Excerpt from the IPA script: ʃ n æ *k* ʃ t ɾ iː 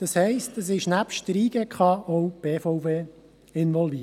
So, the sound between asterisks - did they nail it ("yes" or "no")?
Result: no